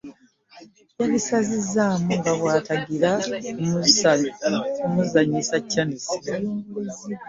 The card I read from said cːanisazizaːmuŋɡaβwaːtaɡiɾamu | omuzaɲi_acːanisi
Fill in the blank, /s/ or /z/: s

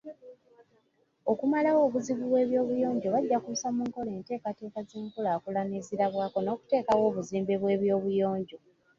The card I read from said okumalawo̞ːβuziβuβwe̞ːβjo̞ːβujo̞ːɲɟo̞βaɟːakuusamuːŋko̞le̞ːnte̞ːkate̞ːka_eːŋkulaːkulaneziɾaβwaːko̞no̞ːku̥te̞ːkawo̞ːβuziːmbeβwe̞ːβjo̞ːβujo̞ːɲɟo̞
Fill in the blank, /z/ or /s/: z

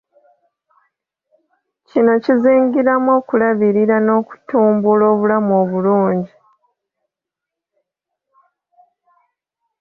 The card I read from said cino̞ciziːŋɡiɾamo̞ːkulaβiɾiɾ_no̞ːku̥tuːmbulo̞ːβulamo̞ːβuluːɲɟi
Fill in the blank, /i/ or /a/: a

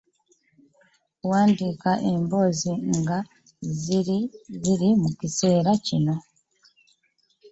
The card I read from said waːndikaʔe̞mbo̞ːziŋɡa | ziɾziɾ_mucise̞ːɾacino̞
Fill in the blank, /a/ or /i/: i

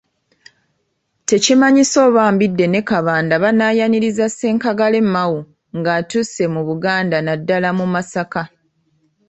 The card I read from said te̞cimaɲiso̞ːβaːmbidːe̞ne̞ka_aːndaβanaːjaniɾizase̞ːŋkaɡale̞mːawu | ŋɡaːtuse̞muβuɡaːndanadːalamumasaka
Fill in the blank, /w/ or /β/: β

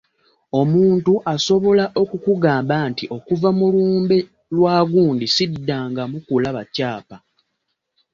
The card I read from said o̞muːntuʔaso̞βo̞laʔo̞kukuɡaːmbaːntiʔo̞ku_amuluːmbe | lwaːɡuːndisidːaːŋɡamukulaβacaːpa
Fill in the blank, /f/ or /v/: v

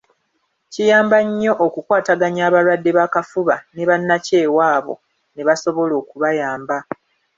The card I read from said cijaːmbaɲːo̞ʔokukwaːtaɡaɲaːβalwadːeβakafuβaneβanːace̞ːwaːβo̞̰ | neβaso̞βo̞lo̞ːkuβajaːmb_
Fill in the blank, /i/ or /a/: a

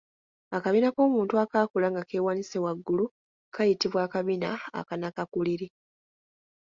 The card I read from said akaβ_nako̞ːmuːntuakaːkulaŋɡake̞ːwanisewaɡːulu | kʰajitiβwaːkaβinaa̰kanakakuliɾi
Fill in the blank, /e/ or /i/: i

